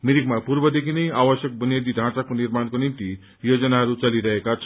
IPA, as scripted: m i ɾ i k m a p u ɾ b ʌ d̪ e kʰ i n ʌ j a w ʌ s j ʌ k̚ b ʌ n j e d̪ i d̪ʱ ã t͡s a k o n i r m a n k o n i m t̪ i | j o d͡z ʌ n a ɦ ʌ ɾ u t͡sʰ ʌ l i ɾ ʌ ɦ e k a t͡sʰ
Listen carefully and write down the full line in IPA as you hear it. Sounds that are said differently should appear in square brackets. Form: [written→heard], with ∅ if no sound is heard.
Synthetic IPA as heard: m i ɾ i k m a p u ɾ b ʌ d̪ e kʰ i n ʌ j a w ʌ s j ʌ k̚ b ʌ n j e d̪ i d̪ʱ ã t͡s a k o n i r m a n k o n i m t̪ i | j o d͡z ʌ n a ɦ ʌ ɾ u [t͡sʰ→t͡s] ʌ l i ɾ ʌ ɦ e k a t͡sʰ